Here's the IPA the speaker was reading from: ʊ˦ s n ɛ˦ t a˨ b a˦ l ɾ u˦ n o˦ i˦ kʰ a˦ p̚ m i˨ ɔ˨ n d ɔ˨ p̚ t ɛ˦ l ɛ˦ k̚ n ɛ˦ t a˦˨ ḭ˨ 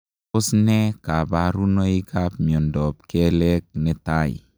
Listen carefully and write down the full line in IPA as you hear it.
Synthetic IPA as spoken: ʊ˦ s n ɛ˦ k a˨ b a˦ ɾ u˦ n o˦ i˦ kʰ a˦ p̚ m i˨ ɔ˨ n d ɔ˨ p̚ k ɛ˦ l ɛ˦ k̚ n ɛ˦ t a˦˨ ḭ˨